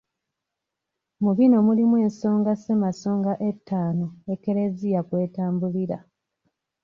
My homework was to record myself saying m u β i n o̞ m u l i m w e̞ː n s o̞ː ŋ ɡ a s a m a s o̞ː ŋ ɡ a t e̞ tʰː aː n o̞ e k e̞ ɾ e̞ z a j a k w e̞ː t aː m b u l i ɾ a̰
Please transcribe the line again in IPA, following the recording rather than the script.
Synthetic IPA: m u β i n o̞ m u l i m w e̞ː n s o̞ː ŋ ɡ a s e m a s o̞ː ŋ ɡ a ʔ e̞ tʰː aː n o̞ e k e̞ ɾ e̞ z i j a k w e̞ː t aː m b u l i ɾ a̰